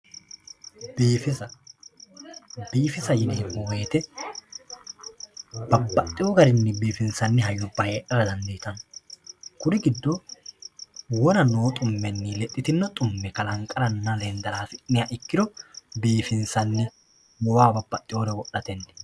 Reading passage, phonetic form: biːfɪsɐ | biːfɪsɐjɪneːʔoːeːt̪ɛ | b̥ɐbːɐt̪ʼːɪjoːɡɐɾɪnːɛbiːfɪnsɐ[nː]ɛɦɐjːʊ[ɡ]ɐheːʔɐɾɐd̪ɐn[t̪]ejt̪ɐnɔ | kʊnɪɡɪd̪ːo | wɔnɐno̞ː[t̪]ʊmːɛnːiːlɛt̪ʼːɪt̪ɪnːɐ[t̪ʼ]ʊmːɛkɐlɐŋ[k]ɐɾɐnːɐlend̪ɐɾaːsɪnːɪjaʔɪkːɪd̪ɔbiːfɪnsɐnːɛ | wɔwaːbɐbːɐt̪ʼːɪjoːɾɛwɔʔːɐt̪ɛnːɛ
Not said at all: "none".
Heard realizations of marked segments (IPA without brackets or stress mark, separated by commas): nː, b, d̪, t̪ʼ, t̪ʼ, kʼ